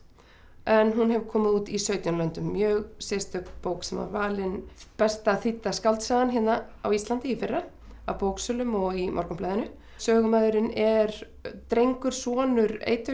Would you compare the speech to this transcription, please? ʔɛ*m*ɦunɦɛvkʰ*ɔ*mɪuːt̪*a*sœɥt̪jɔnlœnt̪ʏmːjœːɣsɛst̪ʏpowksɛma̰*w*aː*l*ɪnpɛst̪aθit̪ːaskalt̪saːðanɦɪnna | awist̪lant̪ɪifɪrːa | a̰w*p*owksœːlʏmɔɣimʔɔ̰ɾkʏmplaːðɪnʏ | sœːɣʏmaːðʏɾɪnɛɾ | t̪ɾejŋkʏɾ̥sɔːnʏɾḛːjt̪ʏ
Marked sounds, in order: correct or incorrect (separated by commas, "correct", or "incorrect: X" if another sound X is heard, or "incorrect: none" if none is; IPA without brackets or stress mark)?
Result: incorrect: n, incorrect: ɔː, incorrect: i, incorrect: v, correct, correct